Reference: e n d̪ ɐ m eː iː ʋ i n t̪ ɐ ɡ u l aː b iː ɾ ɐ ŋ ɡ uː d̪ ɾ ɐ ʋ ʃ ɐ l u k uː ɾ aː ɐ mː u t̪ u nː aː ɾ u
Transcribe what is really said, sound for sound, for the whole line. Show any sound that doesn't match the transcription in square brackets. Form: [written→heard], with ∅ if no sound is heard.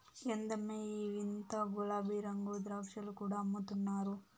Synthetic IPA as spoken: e n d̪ ɐ m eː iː ʋ i n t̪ ɐ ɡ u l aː b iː ɾ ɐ ŋ ɡ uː d̪ ɾ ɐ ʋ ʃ ɐ l u k uː [ɾ→ɽ] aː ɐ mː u t̪ u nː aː ɾ u